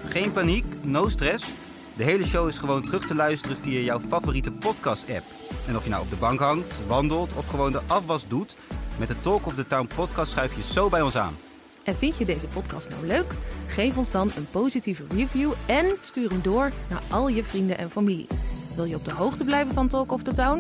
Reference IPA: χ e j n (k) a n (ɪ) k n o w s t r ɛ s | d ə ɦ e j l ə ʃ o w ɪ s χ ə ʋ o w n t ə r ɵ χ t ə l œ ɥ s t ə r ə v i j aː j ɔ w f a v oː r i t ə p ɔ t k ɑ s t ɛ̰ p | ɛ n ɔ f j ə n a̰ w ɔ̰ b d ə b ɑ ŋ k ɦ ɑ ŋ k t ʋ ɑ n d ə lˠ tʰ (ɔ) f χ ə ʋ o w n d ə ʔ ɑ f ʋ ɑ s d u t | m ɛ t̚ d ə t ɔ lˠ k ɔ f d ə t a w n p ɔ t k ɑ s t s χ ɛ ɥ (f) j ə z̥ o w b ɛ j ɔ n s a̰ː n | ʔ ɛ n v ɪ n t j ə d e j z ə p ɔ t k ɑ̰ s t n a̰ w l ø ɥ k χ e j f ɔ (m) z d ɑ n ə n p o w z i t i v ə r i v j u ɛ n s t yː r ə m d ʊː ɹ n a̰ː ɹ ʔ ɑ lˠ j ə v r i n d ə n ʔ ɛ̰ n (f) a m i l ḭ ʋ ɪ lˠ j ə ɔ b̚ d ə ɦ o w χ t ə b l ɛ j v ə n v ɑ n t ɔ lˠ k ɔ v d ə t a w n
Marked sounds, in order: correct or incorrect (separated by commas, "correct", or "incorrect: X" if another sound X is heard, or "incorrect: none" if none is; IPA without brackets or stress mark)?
incorrect: p, incorrect: i, correct, correct, incorrect: n, correct